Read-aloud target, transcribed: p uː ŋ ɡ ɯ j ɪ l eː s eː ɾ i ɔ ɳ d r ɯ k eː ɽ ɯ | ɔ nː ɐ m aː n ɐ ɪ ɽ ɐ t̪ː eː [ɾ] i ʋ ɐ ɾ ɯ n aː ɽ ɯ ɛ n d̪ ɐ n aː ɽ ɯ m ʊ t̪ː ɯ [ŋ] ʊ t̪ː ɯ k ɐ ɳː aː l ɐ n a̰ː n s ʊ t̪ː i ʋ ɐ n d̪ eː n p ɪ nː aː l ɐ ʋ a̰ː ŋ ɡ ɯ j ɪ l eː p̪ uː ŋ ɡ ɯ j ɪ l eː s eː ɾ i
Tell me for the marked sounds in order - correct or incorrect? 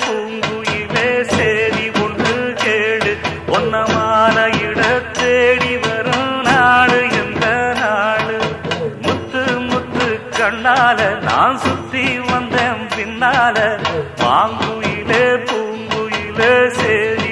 incorrect, incorrect

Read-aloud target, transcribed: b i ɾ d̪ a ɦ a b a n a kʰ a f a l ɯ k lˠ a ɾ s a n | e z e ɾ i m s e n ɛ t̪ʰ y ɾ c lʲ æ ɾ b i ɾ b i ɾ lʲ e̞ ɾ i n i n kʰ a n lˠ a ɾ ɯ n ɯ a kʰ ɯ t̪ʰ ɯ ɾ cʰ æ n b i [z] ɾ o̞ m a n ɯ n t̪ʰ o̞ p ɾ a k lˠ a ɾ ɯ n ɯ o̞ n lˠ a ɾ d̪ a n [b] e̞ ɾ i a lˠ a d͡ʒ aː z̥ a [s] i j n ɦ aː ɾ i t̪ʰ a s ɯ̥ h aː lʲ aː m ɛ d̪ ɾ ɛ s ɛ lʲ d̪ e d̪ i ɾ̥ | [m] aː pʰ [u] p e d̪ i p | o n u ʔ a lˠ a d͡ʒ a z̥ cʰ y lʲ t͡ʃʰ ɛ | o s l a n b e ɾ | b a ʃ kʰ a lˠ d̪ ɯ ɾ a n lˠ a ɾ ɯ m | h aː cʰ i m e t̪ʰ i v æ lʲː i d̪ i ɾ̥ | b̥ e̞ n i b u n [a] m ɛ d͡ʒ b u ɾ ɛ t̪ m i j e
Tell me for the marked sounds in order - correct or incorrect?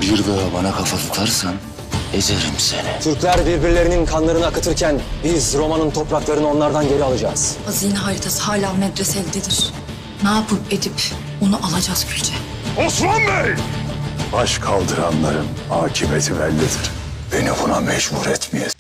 correct, incorrect, incorrect, incorrect, incorrect, correct

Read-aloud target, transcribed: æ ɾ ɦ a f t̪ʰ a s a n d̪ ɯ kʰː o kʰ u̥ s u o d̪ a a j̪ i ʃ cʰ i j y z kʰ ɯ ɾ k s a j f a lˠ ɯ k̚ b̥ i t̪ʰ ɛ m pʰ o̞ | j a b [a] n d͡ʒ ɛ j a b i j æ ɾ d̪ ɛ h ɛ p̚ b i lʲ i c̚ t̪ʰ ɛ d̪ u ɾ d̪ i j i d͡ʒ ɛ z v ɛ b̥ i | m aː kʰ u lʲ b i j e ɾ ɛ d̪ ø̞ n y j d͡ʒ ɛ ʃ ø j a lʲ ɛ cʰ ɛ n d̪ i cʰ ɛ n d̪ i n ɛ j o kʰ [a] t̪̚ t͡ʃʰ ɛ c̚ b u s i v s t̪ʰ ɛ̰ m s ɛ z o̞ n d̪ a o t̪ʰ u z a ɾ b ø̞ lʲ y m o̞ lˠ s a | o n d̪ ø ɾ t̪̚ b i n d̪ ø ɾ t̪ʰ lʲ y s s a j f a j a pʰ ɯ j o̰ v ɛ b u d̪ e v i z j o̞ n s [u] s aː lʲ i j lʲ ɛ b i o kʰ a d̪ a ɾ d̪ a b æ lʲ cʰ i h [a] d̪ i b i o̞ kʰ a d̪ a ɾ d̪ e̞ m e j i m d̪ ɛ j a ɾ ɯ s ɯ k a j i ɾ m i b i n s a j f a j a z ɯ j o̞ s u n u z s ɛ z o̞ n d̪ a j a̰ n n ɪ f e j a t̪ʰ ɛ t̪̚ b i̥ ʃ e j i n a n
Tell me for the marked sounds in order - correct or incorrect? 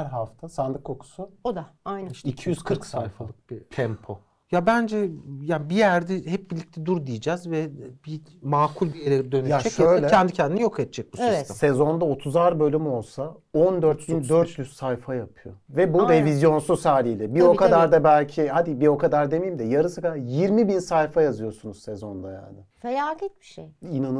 incorrect, incorrect, correct, correct

